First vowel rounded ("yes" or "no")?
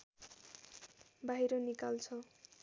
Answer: no